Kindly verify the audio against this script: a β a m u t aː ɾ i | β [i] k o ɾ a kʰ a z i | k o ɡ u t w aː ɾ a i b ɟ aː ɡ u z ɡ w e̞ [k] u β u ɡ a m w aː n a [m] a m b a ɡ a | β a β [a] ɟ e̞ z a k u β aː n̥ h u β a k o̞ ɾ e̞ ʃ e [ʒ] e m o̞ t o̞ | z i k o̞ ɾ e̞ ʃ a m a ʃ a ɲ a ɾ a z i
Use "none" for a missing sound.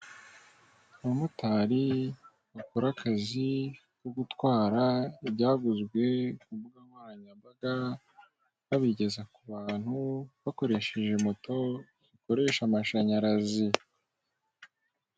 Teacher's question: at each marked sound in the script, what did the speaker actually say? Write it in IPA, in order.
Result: a, k, ɲ, i, ʒ

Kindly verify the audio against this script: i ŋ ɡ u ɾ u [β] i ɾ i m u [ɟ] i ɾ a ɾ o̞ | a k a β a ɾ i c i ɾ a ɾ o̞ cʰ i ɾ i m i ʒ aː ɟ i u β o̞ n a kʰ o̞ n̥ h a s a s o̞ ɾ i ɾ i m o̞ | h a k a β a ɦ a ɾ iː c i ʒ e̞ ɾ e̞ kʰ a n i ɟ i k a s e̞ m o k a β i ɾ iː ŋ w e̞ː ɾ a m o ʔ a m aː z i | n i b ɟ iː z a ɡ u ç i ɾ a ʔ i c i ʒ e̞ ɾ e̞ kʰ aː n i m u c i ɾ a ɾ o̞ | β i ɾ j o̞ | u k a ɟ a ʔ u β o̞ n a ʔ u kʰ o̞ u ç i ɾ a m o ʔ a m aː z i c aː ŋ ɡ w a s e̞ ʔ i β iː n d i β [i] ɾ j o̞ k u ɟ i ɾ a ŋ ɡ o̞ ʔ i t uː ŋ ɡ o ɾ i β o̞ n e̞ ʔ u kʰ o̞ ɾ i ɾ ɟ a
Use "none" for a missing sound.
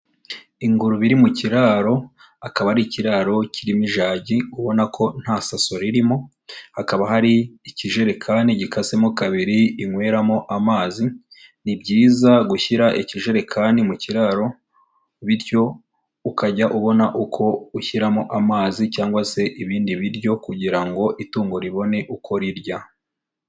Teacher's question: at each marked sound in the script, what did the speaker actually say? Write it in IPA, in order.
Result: β, c, i

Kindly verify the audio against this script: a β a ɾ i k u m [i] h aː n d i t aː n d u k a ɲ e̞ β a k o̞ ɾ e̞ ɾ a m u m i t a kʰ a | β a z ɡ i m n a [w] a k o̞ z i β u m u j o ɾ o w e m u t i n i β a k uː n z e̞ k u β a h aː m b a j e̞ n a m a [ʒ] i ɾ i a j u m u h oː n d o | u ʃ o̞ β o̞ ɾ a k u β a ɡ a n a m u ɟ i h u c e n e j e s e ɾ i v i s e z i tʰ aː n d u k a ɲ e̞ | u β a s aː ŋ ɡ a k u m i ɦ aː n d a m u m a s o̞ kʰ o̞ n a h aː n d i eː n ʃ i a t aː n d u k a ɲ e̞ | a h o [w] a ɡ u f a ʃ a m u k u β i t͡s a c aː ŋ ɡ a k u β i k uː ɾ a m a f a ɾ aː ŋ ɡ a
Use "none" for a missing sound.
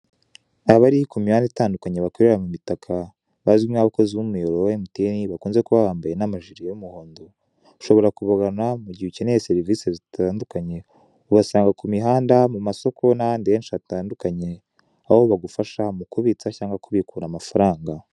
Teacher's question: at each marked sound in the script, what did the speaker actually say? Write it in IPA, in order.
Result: i, β, ʒ, β

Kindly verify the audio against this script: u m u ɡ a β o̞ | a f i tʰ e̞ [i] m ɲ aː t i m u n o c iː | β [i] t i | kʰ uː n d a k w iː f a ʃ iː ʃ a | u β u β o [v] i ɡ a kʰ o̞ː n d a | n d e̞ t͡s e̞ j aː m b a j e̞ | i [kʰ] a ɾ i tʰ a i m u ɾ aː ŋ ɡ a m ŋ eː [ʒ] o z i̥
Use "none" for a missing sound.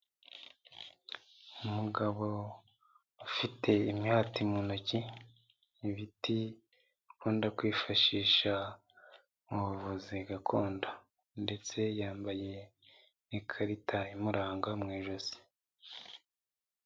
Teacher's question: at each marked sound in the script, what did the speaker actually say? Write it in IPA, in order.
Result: i, i, z, kʰ, ʒ

